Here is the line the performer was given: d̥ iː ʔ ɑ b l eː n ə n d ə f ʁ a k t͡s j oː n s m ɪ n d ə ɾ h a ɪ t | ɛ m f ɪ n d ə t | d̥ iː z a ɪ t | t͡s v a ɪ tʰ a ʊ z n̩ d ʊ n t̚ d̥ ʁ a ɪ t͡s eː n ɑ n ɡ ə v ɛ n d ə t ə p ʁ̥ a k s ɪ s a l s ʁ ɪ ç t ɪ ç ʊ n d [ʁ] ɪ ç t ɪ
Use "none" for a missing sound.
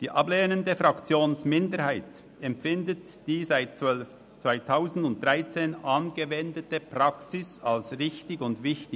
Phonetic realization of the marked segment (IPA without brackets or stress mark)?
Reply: v